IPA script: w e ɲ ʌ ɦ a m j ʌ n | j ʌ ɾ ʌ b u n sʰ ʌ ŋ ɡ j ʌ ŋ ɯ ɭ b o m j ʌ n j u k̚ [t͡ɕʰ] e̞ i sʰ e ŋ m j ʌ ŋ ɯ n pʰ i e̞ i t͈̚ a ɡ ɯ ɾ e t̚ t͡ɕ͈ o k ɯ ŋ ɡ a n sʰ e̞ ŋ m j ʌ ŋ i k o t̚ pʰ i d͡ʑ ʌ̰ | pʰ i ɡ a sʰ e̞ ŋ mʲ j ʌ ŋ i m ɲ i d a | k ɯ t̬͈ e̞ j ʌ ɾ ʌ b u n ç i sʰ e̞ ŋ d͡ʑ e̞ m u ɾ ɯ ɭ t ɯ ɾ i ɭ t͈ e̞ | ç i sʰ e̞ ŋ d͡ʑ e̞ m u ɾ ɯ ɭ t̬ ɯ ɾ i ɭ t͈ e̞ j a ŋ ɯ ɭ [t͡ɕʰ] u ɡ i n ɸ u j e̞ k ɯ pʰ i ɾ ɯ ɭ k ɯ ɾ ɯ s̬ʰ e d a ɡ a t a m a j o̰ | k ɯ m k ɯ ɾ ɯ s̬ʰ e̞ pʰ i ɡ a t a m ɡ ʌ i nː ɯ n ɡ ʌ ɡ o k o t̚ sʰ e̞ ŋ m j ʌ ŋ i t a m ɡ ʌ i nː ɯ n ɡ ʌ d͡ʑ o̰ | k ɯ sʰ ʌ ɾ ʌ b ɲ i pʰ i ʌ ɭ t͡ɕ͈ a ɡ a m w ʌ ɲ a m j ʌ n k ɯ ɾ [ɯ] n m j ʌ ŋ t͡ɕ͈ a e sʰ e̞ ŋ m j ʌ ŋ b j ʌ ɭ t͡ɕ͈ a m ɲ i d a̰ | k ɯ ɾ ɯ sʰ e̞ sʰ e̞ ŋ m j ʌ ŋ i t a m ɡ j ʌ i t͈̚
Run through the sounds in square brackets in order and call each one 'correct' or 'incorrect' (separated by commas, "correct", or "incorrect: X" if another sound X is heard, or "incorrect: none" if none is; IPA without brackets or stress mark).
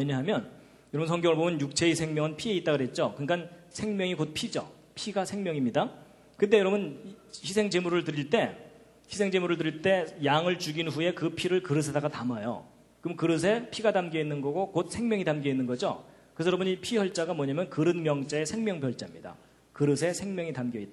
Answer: correct, incorrect: t͡ɕ, correct